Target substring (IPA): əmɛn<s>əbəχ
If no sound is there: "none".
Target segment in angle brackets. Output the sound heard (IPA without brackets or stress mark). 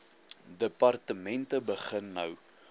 t